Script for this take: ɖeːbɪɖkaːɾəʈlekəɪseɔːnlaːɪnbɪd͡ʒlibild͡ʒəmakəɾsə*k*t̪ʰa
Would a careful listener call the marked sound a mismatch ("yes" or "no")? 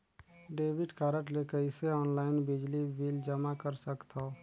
no